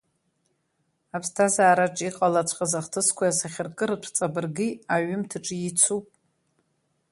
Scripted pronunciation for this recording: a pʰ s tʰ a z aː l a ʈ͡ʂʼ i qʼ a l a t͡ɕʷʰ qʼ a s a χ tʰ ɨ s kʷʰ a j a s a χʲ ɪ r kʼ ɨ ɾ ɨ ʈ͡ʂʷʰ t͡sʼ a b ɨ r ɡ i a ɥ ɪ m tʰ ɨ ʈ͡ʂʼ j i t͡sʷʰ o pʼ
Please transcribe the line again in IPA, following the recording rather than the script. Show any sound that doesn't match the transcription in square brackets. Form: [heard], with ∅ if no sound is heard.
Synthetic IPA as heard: a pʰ s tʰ a z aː [ɾ] a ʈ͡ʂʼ i qʼ a l a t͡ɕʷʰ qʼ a [z] a χ tʰ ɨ s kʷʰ a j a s a χʲ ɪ r kʼ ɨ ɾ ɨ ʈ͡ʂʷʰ t͡sʼ a b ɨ r ɡ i a ɥ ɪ m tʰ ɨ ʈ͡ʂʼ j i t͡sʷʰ [u] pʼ